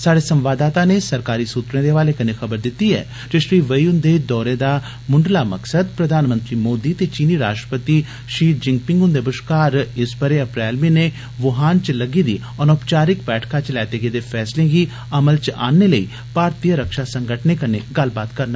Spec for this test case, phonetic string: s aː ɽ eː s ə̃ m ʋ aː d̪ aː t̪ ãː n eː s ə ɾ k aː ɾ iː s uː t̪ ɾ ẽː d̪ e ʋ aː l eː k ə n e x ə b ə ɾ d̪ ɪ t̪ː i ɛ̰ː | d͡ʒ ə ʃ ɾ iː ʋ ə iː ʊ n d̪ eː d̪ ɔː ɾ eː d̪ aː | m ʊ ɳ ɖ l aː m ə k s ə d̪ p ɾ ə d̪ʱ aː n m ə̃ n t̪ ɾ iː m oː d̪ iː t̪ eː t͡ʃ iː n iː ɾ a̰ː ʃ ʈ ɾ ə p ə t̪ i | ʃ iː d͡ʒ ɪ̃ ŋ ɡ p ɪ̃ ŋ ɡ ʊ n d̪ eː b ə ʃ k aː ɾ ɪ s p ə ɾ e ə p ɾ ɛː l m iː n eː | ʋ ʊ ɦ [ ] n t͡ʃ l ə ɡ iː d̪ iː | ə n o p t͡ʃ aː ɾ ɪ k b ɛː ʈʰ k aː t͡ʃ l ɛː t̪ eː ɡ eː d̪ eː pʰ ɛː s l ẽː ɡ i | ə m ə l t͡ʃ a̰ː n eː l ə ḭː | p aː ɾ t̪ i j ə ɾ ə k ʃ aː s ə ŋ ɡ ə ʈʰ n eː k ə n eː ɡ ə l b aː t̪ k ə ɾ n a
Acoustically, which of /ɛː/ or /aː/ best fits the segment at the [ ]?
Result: aː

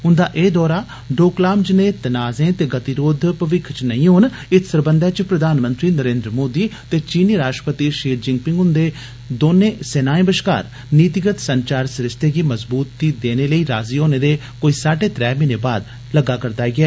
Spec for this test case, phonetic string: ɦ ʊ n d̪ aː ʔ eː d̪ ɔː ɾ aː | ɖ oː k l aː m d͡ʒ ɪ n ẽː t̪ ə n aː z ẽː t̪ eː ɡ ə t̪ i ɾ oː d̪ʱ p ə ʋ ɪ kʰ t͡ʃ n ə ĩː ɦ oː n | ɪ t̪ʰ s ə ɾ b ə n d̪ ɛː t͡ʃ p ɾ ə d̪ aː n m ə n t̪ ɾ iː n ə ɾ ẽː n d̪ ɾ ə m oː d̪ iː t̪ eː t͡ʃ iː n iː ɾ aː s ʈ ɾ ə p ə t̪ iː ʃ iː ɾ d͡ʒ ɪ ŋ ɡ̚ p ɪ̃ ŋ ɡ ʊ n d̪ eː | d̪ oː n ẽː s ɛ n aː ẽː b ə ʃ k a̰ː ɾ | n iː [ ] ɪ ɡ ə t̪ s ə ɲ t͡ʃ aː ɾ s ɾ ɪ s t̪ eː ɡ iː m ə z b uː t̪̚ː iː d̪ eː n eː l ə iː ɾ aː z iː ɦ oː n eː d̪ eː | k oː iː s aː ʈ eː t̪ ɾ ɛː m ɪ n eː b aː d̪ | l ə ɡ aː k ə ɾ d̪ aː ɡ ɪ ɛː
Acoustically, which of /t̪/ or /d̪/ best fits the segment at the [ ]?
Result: t̪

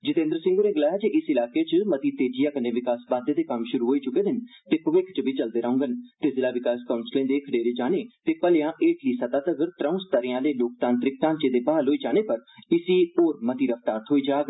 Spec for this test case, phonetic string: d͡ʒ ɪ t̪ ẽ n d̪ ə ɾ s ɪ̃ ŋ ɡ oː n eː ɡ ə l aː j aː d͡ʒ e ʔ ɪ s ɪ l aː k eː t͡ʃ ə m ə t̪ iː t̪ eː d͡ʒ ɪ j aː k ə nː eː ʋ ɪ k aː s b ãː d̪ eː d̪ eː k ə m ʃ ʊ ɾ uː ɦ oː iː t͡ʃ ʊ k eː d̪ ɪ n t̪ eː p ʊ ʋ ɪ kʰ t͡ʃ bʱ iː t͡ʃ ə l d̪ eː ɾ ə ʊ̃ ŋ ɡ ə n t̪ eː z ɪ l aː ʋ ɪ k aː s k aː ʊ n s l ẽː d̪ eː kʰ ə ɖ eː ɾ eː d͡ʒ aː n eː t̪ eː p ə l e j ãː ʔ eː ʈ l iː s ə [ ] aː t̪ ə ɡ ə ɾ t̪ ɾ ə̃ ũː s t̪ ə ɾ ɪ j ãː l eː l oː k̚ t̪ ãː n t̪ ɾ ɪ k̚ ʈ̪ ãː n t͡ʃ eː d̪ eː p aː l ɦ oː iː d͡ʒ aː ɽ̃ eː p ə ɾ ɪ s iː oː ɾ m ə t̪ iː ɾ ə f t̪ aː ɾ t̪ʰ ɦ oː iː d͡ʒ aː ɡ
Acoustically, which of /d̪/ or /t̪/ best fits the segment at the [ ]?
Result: t̪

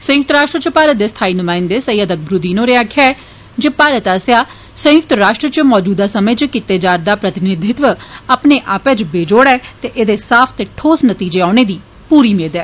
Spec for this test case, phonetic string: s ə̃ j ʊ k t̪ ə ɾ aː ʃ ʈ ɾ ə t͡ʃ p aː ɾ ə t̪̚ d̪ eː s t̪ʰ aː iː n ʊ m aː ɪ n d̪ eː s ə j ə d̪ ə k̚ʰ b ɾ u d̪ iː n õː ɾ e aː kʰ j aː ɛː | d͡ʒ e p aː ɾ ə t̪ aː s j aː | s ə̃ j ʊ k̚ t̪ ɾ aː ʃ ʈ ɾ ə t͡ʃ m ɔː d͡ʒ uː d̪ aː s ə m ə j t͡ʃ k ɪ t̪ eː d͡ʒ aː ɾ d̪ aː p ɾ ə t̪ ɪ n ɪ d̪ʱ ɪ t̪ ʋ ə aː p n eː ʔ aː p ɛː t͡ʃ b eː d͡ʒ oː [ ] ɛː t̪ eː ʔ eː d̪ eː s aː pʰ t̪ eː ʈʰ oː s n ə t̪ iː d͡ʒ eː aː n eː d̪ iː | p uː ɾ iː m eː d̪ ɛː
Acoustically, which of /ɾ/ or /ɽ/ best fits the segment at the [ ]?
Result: ɽ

